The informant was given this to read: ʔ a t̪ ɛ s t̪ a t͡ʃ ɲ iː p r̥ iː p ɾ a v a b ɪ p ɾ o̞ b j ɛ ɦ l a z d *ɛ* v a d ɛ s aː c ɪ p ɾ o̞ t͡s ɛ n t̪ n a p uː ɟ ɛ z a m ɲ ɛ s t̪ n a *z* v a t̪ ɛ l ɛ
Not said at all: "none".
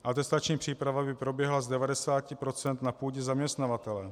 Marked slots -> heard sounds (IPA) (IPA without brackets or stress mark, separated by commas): ɛ, none